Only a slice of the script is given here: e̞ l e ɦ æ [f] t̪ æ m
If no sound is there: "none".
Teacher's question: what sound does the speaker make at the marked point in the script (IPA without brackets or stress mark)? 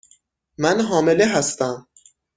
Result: s